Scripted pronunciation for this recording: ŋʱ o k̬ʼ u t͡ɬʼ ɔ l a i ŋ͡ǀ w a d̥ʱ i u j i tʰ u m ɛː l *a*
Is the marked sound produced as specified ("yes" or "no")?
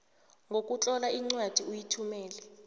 no